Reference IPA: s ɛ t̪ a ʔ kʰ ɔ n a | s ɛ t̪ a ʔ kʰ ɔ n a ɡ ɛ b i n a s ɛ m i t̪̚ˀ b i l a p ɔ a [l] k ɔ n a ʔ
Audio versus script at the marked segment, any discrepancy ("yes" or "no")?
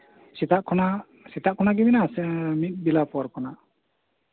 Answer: yes